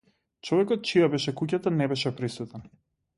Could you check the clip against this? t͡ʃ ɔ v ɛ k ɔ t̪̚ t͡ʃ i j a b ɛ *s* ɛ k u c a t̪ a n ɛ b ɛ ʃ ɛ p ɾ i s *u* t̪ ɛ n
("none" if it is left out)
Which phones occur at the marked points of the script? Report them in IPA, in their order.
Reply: ʃ, u

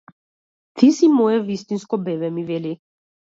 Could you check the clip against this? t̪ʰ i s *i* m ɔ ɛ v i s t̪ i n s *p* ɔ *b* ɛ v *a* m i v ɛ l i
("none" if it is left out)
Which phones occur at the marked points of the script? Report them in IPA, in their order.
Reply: i, k, b, ɛ

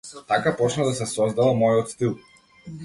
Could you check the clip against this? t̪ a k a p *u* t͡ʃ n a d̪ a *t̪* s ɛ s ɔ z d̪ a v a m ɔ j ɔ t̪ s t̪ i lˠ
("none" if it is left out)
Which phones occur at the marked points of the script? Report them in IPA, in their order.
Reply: ɔ, none

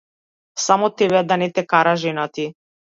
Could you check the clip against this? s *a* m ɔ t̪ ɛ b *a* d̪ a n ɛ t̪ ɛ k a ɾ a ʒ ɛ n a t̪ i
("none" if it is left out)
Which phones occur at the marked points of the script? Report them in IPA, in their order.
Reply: a, ɛ

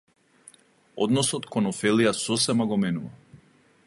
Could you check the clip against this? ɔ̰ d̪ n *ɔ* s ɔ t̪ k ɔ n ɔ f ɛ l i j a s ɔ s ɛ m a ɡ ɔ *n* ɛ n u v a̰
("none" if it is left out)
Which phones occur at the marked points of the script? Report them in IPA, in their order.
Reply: ɔ, m

